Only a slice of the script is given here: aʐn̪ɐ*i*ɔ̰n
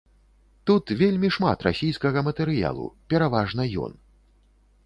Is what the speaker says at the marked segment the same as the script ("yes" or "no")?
no